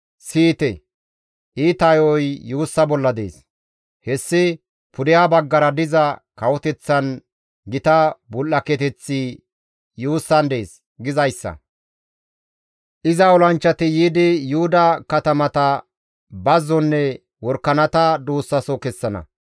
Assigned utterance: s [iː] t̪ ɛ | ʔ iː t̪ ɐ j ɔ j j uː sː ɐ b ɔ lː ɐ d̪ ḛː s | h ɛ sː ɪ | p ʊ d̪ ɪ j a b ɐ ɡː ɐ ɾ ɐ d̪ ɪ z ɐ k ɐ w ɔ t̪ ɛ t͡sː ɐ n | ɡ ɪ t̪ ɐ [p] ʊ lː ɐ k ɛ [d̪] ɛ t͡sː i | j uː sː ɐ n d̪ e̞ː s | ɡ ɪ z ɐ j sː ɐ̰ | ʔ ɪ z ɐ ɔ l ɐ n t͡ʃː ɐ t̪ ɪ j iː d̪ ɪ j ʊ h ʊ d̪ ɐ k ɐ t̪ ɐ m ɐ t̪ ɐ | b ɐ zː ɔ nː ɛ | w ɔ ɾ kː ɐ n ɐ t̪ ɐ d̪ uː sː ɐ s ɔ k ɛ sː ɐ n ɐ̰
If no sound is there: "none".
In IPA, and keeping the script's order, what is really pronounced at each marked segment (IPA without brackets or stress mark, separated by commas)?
iː, b, t̪